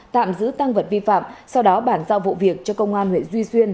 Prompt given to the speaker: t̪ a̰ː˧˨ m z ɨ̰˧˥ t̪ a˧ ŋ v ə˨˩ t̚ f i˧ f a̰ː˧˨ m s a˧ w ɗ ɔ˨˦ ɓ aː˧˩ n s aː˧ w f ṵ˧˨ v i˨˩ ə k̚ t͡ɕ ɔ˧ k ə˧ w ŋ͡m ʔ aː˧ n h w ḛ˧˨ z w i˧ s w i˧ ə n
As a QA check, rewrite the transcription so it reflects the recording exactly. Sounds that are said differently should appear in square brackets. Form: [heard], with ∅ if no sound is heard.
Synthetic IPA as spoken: t̪ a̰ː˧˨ m z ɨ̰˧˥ t̪ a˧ ŋ v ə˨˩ t̚ [v] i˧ f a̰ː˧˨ m s a˧ w ɗ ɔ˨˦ ɓ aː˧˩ n [z] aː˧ w [v] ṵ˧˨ v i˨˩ ə k̚ t͡ɕ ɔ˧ k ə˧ w ŋ͡m ʔ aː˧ n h w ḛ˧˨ z w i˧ s w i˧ ə n